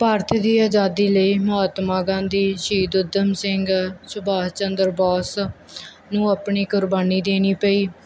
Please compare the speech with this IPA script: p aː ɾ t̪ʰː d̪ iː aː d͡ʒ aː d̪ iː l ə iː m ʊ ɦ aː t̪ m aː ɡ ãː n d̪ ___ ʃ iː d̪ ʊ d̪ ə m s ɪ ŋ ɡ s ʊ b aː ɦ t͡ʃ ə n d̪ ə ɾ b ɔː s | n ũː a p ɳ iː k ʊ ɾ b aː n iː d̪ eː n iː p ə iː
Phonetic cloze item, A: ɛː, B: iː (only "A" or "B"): B